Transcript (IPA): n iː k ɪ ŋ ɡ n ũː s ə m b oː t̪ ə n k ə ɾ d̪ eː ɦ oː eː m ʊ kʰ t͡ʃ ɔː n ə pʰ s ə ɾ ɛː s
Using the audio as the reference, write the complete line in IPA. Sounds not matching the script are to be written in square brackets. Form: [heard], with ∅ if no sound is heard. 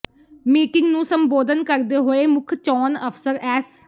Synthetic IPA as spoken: [m] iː k ɪ ŋ ɡ n ũː s ə m b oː [d̪] ə n k ə ɾ d̪ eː ɦ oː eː m ʊ kʰ t͡ʃ ɔː n ə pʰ s ə ɾ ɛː s

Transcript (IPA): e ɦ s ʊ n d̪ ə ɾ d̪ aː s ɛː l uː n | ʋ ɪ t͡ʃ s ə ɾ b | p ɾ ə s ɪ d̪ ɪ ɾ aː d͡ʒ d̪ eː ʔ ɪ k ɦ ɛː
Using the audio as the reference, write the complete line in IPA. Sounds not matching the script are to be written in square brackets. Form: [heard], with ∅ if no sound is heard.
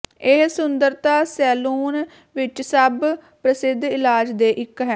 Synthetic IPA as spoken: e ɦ s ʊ n d̪ ə ɾ [t̪] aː s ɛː l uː n | ʋ ɪ t͡ʃ s ə [∅] b | p ɾ ə s ɪ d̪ ɪ [l] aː d͡ʒ d̪ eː ʔ ɪ k ɦ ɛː

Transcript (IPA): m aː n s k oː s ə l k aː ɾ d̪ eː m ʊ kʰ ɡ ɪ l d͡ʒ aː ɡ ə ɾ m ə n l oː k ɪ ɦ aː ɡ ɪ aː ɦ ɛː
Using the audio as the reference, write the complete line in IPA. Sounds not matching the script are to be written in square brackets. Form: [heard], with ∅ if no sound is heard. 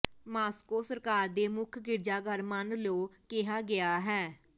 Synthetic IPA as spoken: m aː [∅] s k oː s ə [ɾ] k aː ɾ d̪ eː m ʊ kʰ ɡ ɪ [ɾ] d͡ʒ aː ɡ ə ɾ m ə n l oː k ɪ ɦ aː ɡ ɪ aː ɦ ɛː

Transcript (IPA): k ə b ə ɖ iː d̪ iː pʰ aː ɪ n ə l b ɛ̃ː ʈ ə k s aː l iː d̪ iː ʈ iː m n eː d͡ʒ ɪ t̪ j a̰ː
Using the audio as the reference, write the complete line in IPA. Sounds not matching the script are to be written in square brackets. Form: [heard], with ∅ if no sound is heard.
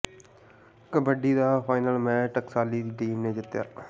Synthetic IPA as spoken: k ə b ə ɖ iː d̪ [aː] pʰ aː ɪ n ə l [m] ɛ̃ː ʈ ə k s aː l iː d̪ iː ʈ iː m n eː d͡ʒ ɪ t̪ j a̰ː

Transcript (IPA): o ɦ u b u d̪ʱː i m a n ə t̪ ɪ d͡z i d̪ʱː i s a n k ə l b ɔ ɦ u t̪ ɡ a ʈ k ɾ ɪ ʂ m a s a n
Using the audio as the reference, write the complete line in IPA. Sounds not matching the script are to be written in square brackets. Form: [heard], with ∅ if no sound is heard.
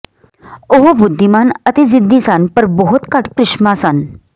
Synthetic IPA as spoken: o ɦ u b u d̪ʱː i m a n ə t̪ [i] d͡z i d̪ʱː i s a n [p] ə [ɾ] b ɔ ɦ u t̪ [k] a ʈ k ɾ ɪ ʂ m a s a n

